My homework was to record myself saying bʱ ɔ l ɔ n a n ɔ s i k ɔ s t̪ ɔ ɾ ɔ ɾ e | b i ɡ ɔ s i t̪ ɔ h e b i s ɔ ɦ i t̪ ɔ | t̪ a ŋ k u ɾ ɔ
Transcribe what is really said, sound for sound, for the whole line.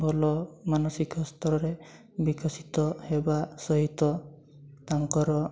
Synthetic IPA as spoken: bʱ ɔ l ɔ m a n ɔ s i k ɔ s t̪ ɔ ɾ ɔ ɾ e | b i k ɔ s i t̪ ɔ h e b a s ɔ ɦ i t̪ ɔ | t̪ a ŋ k ɔ ɾ ɔ